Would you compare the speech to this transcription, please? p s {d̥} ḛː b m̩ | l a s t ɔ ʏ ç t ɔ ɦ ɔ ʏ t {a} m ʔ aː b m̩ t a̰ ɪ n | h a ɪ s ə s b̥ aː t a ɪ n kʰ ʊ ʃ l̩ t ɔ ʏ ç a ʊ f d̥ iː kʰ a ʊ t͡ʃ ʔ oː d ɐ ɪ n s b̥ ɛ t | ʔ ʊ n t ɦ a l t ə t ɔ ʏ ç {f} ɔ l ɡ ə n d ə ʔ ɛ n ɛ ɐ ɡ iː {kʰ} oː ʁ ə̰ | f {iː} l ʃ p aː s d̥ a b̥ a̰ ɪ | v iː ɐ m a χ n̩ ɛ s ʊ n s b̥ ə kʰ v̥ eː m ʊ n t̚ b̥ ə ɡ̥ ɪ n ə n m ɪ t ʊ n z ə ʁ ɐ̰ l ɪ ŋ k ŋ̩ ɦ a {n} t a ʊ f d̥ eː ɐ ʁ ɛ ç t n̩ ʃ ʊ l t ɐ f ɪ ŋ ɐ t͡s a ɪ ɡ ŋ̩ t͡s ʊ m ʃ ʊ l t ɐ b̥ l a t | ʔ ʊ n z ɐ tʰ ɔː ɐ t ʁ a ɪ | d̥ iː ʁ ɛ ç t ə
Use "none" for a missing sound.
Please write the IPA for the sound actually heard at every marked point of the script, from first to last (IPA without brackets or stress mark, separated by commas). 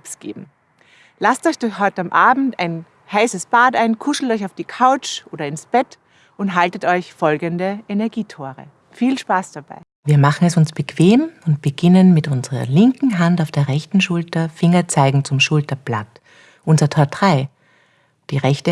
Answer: ɡ̥, a, f, tʰ, iː, n